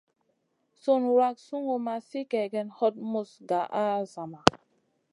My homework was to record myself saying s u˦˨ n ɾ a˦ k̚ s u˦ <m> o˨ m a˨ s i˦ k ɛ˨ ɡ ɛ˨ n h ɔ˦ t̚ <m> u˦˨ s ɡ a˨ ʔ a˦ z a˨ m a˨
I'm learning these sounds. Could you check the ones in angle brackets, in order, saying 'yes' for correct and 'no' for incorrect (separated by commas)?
no, yes